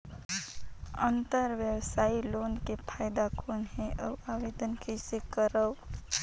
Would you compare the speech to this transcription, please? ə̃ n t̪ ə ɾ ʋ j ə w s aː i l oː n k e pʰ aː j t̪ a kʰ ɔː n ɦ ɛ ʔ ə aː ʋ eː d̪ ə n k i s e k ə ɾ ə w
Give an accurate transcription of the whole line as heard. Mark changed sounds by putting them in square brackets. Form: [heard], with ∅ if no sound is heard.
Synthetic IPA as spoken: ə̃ n t̪ ə ɾ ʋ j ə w s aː i l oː n k e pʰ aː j [d̪] a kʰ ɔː n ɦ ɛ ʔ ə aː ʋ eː d̪ ə n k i s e k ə ɾ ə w